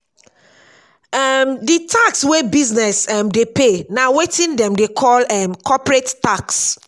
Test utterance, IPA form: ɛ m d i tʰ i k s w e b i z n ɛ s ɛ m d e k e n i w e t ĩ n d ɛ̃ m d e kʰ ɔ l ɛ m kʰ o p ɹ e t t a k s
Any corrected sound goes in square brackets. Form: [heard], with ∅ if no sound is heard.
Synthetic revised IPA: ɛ m d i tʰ [a] k s w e b i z n ɛ s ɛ m d e [p] e n [a] w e t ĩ n d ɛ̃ m d e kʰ ɔ l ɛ m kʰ [ɔ] p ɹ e t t a k s

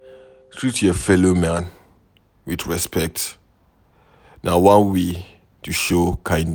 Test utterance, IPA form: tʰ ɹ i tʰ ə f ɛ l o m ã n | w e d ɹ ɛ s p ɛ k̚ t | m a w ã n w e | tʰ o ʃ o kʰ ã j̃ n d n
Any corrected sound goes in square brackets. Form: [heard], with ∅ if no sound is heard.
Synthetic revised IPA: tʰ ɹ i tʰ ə f ɛ l o m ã n | w [i] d ɹ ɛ s p ɛ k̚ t | [n] a w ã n w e | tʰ [u] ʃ o kʰ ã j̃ n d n

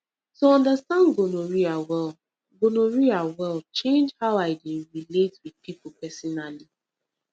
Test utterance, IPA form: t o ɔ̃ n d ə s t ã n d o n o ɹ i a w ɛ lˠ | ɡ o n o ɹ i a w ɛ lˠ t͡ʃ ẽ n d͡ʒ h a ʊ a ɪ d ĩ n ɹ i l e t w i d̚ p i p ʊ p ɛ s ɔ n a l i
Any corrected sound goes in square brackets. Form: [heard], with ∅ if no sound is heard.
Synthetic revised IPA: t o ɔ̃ n d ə s t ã n [ɡ] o n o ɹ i a w ɛ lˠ | ɡ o n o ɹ i a w ɛ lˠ t͡ʃ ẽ n d͡ʒ h a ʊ a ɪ d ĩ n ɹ i l e t w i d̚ p i p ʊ p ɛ s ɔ n a l i

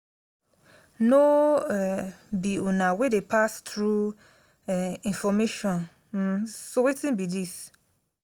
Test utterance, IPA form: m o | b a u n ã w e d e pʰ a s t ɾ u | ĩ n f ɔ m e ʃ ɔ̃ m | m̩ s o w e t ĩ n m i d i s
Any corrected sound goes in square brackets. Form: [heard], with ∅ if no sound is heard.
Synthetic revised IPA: [n] o | b [i] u n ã w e d e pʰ a s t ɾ u | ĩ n f ɔ m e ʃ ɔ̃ [n] | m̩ s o w e t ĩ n [b] i d i s

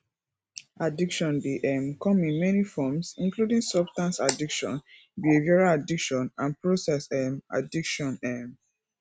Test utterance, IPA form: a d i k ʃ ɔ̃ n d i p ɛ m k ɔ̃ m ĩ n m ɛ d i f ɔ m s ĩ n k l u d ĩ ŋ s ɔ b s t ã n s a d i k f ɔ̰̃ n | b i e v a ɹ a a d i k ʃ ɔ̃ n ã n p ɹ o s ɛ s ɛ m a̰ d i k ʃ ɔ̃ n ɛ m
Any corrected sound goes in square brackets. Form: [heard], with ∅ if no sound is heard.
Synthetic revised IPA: a d i k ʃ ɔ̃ n d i [ʔ] ɛ m k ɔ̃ m ĩ n m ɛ [n] i f ɔ m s ĩ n k l u d ĩ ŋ s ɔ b s t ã n s a d i k [ʃ] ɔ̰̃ n | b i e v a ɹ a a d i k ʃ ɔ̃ n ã n p ɹ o s ɛ s ɛ m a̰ d i k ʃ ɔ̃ n ɛ m

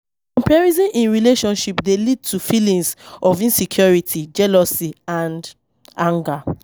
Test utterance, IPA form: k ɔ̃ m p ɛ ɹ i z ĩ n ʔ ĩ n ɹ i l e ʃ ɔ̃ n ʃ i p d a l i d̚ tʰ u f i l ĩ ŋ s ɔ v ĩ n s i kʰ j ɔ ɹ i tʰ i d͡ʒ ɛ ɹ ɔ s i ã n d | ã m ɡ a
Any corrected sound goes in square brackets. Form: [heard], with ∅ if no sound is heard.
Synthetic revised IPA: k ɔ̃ m p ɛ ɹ i z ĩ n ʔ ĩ n ɹ i l e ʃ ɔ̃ n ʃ i p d [e] l i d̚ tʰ u f i l ĩ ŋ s ɔ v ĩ n s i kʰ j ɔ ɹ i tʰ i d͡ʒ ɛ [l] ɔ s i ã n d | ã [ŋ] ɡ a

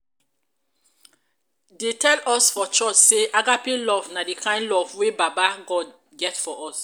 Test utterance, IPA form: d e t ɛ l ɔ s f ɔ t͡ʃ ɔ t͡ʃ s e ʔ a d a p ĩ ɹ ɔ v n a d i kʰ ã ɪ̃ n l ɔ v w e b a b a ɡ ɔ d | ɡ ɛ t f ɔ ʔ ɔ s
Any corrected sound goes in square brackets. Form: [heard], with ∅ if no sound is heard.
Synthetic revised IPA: d e t ɛ l ɔ s f ɔ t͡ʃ ɔ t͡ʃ s e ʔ a [ɡ] a p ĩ [l] ɔ v n a d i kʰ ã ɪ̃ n l ɔ v w e b a b a ɡ ɔ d | ɡ ɛ t f ɔ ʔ ɔ s

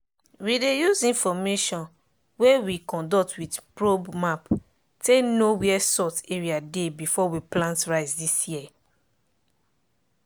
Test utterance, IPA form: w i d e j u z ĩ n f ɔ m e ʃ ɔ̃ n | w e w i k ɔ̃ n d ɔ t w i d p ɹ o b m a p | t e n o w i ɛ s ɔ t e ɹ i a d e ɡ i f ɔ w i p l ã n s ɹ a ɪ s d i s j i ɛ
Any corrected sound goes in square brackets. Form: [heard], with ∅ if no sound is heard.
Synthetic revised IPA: w i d e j u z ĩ n f ɔ m e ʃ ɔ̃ n | w e w i k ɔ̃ n d ɔ t w i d p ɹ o b m a p | t e n o w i ɛ s ɔ t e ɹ i a d e [b] i f ɔ w i p l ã n [t] ɹ a ɪ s d i s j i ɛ

